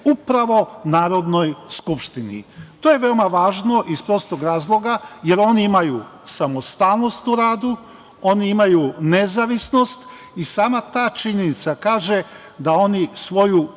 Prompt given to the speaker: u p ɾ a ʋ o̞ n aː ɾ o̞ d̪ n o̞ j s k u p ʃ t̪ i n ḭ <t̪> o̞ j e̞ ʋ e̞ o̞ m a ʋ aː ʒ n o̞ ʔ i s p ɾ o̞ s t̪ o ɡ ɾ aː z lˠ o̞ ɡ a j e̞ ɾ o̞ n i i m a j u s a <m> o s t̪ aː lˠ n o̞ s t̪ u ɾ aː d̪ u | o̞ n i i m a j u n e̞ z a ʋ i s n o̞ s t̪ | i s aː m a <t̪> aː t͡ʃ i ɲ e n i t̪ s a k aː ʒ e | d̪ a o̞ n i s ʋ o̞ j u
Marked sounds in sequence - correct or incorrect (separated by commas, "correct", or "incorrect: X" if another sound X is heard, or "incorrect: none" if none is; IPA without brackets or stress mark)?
correct, correct, correct